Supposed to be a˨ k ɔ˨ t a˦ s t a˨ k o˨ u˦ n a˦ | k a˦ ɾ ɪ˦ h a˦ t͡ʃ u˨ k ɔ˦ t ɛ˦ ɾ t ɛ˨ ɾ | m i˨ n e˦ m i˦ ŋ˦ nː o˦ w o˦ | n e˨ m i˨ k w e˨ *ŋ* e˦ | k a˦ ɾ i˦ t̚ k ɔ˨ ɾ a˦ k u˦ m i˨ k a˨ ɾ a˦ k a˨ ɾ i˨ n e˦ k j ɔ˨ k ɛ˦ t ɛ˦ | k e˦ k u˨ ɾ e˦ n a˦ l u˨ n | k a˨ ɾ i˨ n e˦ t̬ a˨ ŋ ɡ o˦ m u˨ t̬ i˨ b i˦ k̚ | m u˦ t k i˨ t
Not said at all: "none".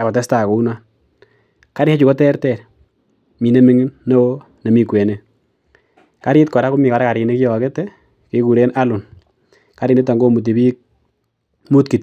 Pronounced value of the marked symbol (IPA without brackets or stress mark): n